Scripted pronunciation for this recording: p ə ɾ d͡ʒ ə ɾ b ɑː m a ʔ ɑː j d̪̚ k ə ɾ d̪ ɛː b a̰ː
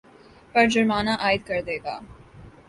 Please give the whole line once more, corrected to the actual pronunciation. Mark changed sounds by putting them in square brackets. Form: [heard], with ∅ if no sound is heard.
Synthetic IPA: p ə ɾ d͡ʒ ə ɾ [m] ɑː [n] a ʔ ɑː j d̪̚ k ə ɾ d̪ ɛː [ɡ] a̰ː